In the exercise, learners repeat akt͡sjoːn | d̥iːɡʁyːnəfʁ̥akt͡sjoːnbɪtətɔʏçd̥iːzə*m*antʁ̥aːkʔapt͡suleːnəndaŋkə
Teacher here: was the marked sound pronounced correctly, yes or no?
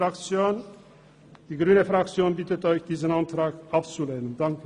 no